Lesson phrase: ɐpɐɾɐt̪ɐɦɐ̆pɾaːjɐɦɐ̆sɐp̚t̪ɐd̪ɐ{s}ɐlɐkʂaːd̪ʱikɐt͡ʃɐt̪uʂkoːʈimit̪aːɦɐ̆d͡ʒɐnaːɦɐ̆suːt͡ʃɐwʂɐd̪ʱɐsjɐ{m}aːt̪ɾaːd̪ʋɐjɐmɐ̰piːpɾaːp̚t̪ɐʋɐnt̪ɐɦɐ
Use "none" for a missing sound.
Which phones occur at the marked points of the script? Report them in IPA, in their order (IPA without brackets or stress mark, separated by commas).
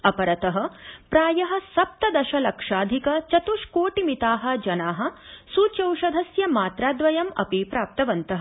ʃ, m